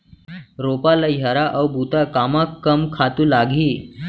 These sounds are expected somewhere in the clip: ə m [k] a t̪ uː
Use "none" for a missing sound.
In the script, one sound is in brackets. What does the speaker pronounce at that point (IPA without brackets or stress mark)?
kʰ